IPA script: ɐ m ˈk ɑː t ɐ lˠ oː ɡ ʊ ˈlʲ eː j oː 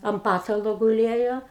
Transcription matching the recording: ɐ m ˈp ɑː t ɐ lˠ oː ɡ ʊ ˈlʲ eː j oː